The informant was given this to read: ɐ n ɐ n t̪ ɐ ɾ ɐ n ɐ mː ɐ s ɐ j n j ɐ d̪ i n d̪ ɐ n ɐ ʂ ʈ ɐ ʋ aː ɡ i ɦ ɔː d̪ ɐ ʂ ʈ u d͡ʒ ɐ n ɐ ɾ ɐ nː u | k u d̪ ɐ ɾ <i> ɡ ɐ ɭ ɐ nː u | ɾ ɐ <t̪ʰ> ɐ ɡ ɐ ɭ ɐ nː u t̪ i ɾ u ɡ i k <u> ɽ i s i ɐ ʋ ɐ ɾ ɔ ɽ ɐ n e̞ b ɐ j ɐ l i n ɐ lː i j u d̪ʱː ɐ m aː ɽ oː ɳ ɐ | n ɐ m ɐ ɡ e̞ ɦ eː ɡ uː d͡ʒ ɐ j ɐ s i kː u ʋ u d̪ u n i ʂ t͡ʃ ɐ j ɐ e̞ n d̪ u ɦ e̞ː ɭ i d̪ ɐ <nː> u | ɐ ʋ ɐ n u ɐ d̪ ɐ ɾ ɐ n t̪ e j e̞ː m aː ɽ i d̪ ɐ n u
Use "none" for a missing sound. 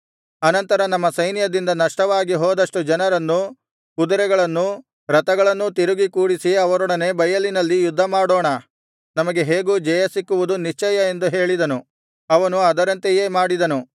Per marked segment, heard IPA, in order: ɛ, t̪, uː, n

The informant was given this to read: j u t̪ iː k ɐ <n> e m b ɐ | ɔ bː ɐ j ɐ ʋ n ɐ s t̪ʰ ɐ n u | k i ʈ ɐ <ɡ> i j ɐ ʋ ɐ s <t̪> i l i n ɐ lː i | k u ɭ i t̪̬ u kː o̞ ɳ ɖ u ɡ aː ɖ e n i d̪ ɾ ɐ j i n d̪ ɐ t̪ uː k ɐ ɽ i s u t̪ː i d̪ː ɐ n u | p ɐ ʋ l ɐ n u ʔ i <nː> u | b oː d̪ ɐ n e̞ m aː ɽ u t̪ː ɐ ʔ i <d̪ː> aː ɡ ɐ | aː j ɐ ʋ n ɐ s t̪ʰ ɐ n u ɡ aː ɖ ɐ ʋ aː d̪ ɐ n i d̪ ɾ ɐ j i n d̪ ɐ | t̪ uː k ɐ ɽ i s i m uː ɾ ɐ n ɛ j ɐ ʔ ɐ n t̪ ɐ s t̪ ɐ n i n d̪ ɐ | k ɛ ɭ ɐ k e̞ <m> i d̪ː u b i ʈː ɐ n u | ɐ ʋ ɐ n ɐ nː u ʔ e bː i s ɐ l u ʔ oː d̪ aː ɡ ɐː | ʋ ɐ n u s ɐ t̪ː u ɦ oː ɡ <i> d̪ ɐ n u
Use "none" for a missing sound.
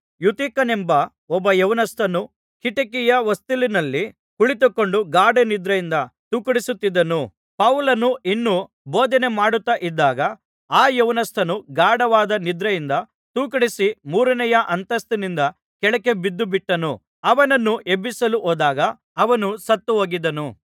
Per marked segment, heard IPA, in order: n, k, t̪, nː, d̪ː, b, i

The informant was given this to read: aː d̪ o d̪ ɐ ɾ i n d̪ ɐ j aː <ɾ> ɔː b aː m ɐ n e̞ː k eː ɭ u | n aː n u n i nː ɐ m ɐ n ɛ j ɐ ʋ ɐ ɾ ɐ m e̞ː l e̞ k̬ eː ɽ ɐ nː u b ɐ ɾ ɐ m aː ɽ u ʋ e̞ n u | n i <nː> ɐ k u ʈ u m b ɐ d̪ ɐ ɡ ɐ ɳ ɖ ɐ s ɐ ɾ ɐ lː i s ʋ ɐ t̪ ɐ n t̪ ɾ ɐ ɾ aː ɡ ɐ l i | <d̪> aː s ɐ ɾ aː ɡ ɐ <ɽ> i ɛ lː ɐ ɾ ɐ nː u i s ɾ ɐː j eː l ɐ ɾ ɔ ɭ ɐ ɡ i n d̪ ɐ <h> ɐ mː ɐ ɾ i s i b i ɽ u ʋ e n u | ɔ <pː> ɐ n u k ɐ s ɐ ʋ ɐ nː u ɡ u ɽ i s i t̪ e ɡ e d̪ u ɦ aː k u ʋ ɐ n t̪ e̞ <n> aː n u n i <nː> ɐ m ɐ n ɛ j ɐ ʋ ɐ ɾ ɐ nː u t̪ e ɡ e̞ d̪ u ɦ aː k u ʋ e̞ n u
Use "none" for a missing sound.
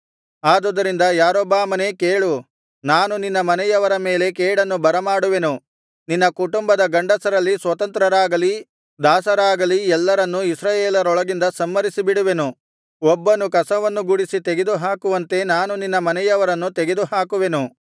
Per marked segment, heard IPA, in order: ɾ, nː, d̪, l, s, bː, n, nː

